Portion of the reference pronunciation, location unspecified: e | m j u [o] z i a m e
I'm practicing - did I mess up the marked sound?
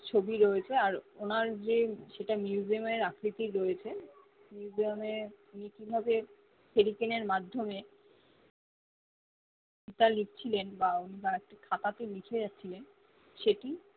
yes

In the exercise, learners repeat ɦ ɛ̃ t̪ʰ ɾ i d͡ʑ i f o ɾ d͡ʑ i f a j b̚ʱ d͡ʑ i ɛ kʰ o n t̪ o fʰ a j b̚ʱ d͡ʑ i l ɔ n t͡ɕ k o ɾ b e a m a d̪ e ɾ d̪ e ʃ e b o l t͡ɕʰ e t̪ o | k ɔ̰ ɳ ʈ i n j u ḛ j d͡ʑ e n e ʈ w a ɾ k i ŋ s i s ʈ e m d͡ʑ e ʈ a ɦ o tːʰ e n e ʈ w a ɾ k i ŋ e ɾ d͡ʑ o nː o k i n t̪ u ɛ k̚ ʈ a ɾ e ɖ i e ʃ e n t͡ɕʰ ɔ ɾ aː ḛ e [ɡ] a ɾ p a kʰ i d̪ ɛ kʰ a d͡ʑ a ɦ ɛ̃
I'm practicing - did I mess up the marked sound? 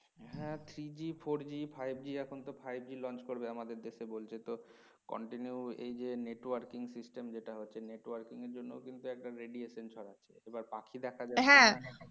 yes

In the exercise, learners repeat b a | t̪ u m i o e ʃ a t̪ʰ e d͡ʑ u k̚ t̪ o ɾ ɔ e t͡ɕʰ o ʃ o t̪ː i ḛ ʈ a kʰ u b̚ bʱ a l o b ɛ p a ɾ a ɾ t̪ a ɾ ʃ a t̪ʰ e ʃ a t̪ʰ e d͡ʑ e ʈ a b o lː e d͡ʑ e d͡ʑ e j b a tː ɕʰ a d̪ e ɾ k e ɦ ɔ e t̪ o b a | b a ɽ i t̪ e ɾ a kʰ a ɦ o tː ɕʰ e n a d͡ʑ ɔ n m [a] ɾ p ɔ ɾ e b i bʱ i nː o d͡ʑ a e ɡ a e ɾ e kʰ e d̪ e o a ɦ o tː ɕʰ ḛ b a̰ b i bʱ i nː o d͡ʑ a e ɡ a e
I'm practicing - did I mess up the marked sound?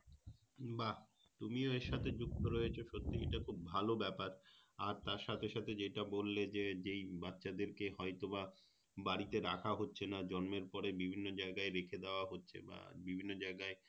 yes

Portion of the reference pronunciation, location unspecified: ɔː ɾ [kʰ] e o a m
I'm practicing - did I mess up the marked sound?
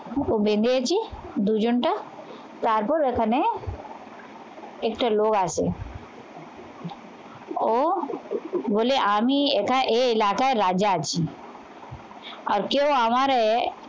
yes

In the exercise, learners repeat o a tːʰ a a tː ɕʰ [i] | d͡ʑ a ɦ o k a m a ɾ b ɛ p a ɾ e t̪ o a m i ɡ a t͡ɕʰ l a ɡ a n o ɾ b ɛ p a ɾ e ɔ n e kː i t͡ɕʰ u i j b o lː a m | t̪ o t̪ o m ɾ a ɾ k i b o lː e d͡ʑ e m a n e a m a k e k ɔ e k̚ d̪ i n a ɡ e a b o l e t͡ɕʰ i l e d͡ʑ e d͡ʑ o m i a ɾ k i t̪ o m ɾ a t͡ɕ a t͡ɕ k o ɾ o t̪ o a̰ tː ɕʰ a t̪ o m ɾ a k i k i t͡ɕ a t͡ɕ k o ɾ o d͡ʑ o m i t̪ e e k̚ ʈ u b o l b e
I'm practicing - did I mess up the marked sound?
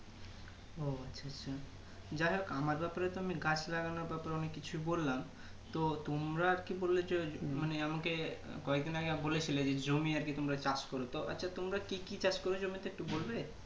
yes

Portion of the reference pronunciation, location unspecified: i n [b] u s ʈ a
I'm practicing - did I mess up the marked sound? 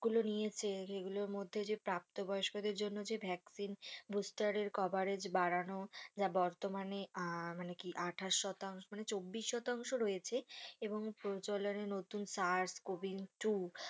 no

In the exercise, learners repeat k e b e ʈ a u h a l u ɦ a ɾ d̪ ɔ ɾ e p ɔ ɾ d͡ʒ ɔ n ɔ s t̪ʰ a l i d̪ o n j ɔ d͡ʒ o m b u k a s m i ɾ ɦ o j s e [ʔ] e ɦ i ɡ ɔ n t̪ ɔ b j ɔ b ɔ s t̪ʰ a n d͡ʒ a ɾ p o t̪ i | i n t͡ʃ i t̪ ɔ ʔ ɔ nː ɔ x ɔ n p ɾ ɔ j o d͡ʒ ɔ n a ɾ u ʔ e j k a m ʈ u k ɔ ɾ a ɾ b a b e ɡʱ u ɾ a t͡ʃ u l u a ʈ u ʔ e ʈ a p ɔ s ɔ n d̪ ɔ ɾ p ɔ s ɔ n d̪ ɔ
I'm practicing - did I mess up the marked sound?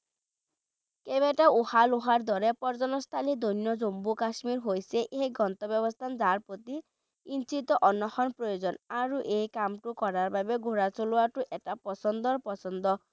no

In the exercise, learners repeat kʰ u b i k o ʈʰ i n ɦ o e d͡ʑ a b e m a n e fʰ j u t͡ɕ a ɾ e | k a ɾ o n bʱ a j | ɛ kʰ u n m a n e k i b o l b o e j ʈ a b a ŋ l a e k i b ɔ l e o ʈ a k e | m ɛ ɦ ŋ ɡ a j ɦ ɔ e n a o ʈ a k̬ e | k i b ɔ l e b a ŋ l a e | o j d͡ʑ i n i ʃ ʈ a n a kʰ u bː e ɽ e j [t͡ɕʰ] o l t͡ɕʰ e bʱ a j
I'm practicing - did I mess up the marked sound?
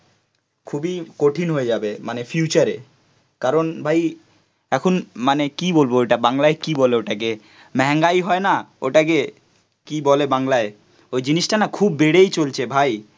yes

